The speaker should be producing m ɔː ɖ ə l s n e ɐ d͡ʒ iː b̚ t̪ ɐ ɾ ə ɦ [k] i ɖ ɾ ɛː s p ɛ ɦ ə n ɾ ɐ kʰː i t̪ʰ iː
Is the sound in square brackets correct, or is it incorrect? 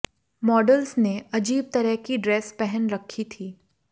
correct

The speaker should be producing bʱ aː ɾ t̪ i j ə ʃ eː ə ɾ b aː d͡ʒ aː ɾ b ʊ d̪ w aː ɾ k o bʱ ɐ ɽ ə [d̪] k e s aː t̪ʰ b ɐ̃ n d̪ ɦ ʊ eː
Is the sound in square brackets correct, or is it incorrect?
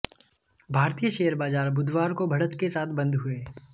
incorrect: t̪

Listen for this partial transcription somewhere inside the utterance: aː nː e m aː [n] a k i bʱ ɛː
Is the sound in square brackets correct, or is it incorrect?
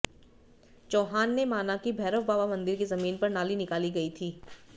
correct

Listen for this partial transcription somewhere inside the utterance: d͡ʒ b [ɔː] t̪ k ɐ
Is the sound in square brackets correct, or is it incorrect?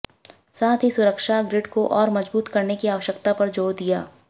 incorrect: uː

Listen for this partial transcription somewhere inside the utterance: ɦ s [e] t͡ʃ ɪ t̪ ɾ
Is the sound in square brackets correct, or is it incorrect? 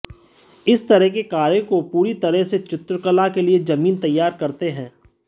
correct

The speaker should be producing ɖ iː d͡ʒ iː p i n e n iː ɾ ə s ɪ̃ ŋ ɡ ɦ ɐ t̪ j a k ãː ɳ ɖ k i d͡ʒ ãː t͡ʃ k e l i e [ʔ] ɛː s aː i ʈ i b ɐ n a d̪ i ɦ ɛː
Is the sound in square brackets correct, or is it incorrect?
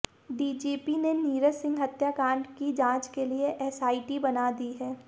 correct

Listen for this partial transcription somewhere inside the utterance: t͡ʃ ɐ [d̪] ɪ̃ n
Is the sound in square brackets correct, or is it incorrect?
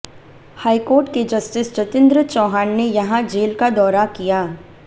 incorrect: t̪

